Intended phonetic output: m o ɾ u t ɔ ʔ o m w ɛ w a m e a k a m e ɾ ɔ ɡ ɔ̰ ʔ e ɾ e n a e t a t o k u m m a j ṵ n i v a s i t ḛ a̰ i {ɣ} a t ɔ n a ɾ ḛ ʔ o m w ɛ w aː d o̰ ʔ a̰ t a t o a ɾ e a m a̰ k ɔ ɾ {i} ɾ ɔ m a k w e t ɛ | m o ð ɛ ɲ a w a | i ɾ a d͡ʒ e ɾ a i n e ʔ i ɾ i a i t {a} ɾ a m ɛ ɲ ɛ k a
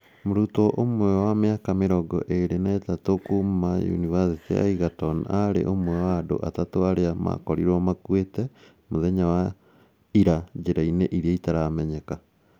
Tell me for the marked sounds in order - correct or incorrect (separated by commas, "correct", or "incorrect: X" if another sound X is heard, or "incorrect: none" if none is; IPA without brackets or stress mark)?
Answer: correct, correct, correct